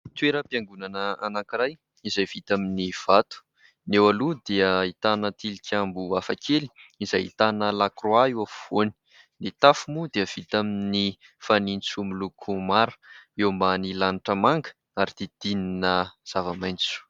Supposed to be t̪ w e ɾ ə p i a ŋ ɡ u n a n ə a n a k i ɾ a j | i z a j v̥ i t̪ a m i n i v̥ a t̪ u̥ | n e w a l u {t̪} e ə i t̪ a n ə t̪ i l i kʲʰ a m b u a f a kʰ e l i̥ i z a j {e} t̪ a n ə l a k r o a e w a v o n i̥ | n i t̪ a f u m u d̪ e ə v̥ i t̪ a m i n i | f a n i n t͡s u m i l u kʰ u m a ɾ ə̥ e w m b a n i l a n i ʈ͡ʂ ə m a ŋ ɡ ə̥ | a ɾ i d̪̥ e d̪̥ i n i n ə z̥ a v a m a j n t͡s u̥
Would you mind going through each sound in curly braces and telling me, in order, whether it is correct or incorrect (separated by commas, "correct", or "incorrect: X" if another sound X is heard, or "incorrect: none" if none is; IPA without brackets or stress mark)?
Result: incorrect: d̪, incorrect: i